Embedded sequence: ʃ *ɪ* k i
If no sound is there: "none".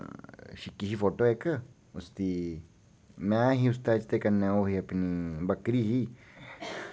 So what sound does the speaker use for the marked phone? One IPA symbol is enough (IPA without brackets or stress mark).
i